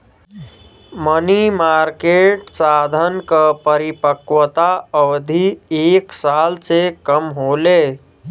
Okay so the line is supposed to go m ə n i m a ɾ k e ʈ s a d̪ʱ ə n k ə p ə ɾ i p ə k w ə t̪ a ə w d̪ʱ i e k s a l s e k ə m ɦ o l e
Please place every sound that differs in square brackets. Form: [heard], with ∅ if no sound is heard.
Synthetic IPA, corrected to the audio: m ə n i m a ɾ k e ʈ s a d̪ʱ ə n k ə p ə ɾ i p ə k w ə t̪ a ə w d̪ʱ i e k s a l s e k ə m ɦ o l e